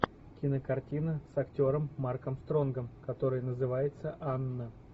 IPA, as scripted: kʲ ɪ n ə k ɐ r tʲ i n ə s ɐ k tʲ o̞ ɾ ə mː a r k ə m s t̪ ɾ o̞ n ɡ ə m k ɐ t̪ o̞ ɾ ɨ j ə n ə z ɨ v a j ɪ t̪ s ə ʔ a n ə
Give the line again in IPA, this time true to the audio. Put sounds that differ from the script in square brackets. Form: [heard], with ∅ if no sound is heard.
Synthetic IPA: kʲ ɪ n ə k ɐ r tʲ i n ə s ɐ k tʲ o̞ ɾ ə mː a r k ə m s t̪ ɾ o̞ n ɡ ə m k ɐ t̪ o̞ ɾ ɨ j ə n ə z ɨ v a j ɪ t̪ s ə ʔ a [nː] ə